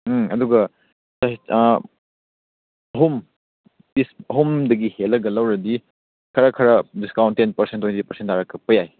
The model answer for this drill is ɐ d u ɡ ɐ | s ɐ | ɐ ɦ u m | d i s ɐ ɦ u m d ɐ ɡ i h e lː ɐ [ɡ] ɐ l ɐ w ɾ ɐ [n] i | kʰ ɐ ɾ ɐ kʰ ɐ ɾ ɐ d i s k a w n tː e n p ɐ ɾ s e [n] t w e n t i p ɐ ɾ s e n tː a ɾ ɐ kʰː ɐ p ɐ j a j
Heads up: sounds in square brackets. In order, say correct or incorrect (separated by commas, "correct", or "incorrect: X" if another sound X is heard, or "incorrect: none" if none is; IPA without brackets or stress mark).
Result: correct, incorrect: d, correct